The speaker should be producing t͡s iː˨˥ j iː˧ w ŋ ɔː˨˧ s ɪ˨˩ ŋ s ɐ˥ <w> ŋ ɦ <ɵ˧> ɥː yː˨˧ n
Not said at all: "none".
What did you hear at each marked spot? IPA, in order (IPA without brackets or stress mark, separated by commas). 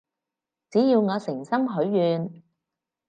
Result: none, ɵ˨˥